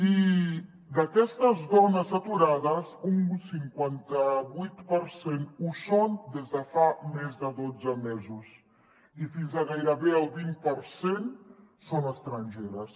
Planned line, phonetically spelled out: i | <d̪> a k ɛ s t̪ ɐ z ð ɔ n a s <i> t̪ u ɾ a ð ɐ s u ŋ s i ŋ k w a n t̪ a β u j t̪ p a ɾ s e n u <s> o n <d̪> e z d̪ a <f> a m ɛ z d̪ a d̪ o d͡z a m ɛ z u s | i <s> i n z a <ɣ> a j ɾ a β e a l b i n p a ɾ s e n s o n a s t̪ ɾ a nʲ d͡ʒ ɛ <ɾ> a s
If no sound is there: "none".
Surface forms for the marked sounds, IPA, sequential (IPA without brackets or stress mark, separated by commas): d̪, a, s, d̪, f, f, ɣ, ɾ